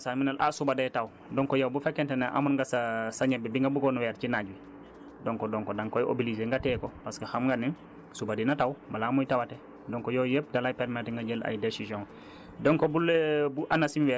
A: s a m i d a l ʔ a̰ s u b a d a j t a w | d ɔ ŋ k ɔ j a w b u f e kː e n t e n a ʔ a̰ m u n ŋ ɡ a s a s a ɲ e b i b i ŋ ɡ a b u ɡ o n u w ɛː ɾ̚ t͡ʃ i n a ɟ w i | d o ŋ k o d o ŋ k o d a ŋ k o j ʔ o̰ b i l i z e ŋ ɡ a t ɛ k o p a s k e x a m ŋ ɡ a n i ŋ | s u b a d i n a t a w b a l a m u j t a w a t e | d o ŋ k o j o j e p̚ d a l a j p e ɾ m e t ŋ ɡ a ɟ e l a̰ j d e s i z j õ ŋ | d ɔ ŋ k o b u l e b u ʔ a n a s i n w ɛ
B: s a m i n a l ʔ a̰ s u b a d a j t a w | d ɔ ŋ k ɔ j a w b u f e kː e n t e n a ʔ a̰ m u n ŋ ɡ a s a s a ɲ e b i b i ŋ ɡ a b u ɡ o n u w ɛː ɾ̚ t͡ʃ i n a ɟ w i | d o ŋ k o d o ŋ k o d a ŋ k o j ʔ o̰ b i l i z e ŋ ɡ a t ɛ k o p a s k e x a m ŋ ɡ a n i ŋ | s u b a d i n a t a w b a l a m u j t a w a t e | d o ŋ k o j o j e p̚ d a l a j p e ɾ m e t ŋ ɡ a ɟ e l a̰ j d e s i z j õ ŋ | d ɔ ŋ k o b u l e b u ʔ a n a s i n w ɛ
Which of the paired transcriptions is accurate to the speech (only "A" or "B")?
B